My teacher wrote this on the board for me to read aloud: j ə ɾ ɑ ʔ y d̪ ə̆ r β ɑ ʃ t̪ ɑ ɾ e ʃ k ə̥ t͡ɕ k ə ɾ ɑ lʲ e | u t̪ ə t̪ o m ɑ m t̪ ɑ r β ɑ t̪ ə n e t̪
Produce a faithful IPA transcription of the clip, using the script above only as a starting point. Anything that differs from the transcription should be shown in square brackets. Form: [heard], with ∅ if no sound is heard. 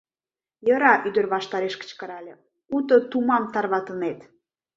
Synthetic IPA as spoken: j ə ɾ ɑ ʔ y d̪ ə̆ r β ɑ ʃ t̪ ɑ ɾ e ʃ k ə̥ t͡ɕ k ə ɾ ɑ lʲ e | u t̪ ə t̪ [u] m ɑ m t̪ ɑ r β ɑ t̪ ə n e t̪